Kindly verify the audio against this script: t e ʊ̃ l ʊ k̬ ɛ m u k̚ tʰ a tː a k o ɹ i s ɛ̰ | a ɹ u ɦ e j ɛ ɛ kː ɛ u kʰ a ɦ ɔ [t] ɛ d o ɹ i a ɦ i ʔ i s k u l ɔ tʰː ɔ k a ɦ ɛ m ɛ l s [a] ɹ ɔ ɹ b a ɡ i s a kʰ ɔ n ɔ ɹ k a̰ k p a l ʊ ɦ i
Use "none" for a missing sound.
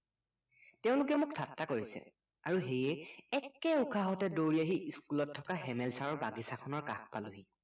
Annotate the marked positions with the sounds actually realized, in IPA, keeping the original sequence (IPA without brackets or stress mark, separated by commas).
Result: t, a